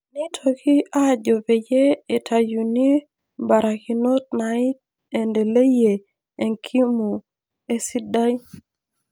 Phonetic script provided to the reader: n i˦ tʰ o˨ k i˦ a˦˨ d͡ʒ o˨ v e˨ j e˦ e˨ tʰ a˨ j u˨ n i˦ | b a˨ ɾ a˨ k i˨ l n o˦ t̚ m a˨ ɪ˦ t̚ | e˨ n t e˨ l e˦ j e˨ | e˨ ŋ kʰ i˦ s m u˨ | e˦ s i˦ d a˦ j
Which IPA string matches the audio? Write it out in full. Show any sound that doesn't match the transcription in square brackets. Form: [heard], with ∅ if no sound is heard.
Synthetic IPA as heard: n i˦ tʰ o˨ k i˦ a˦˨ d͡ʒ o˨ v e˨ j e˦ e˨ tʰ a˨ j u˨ n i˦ | b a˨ ɾ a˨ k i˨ [∅] n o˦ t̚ [n] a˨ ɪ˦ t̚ | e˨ n [d] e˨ l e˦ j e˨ | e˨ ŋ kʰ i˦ [∅] m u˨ | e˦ s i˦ d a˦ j